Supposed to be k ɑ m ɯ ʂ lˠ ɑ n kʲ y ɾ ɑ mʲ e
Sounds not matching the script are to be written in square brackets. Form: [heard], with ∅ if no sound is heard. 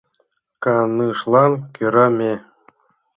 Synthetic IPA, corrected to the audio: k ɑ [n] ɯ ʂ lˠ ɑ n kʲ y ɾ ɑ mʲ e